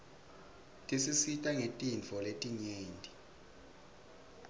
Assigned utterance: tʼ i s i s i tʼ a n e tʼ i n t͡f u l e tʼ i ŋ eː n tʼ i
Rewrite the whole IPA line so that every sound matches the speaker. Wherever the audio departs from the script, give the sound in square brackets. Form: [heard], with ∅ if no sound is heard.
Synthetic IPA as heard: tʼ i s i s i tʼ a [ŋ] e tʼ i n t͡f [ɔ] l e tʼ i [ɲ] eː n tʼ i